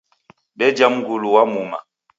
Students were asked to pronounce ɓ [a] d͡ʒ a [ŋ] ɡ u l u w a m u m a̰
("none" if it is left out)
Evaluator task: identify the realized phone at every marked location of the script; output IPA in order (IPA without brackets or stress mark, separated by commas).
ɛ, m